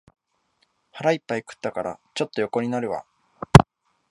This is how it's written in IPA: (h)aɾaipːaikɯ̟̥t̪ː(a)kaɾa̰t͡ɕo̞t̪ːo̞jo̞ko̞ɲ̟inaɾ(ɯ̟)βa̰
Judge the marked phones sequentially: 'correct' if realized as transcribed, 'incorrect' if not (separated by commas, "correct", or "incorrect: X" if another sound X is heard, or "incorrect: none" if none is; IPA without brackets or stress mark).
correct, correct, correct